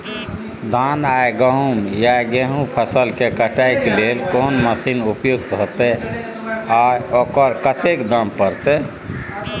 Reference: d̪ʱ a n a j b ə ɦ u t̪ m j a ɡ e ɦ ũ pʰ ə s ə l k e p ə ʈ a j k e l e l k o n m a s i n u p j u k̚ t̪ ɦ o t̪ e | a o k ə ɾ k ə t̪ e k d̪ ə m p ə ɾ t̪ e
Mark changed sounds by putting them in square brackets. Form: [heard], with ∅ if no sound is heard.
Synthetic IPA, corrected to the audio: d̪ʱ a n a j [ɡ] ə ɦ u [∅] m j a ɡ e ɦ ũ pʰ ə s ə l k e [k] ə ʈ a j k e l e l k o n m [ə] s i n u p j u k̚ t̪ ɦ o t̪ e | a o k ə ɾ k ə t̪ e k d̪ ə m p ə ɾ t̪ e